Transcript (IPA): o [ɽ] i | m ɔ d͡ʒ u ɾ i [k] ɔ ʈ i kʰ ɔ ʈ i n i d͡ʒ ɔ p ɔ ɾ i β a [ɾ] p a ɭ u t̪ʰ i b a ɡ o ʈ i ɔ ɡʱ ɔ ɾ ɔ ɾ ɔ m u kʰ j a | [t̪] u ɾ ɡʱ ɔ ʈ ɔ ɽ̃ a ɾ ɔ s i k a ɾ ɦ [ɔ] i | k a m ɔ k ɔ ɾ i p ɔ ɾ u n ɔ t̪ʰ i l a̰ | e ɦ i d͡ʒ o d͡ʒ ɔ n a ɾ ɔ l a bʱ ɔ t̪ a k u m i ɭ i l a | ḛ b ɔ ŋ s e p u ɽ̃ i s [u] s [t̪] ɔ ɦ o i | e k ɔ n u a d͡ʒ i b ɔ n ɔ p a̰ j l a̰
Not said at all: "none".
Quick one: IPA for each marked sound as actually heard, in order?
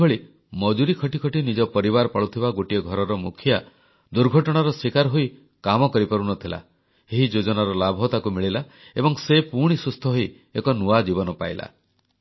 ɭ, kʰ, ɾ, d̪, o, u, t̪ʰ

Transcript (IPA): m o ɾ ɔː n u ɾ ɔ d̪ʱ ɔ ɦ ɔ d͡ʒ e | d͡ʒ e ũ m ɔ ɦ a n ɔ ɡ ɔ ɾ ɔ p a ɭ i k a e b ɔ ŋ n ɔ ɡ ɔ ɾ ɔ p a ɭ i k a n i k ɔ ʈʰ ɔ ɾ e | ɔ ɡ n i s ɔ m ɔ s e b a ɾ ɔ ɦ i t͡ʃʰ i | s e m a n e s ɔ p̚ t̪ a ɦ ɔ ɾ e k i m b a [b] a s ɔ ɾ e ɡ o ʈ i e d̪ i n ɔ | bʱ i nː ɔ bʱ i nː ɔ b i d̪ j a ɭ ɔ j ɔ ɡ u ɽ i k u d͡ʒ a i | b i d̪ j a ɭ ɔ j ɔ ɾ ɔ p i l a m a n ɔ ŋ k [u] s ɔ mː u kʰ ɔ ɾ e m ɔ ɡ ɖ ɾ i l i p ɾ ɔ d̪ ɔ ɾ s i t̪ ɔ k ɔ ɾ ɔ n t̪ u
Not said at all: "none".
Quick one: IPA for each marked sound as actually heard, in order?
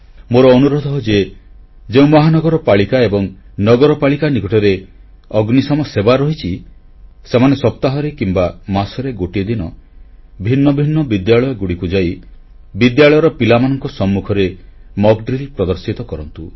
m, ɔ

